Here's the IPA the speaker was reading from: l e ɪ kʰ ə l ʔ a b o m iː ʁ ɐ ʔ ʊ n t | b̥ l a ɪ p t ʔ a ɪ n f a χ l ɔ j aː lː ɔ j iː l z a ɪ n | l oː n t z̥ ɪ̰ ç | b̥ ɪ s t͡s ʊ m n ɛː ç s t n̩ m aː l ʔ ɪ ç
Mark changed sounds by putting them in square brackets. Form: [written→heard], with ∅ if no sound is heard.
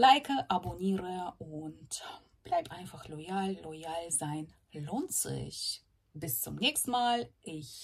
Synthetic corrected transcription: l [e→a] ɪ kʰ ə [l→∅] ʔ a b o [m→n] iː ʁ [ɐ→ə] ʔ ʊ n t | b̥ l a ɪ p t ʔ a ɪ n f a χ l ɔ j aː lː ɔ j [iː→aː] l z a ɪ n | l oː n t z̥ ɪ̰ ç | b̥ ɪ s t͡s ʊ m n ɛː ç s t n̩ m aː l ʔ ɪ ç